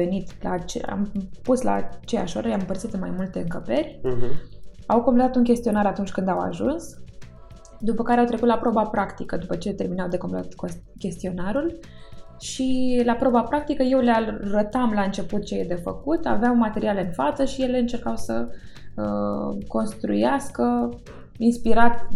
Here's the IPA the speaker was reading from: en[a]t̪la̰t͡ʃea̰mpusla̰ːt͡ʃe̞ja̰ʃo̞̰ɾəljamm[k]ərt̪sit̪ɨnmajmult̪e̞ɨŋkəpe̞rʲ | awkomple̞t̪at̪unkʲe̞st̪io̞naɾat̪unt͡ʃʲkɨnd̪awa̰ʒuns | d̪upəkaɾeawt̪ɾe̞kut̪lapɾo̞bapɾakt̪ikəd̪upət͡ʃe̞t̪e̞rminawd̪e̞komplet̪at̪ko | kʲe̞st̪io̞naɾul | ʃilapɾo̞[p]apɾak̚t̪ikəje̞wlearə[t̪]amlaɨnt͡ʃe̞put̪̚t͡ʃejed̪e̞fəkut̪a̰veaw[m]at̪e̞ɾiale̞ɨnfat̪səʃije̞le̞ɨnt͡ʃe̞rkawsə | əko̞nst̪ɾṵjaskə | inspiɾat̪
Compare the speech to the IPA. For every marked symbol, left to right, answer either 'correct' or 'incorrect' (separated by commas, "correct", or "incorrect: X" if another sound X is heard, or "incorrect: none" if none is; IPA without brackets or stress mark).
incorrect: i, incorrect: p, incorrect: b, correct, correct